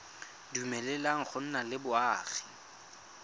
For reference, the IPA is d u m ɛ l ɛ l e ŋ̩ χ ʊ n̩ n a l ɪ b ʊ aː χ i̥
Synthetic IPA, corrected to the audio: d u m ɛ l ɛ l a ŋ̩ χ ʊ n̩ n a l ɪ b ʊ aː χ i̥